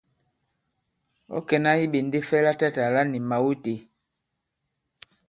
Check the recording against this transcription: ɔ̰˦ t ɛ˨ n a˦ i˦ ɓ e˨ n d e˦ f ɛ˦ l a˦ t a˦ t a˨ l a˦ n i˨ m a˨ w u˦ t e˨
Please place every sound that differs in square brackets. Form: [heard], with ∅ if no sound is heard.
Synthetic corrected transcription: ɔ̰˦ [k] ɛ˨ n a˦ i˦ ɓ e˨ n d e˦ f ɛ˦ l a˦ t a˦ t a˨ l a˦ n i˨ m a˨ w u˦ t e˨